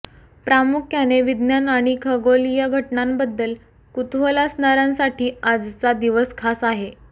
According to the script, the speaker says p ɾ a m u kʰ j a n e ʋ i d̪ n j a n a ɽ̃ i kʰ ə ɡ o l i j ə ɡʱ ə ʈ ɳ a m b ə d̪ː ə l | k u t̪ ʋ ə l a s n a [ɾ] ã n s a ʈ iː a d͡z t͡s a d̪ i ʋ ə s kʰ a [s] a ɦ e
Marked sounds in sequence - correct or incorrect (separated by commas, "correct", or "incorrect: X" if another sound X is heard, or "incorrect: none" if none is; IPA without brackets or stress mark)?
correct, correct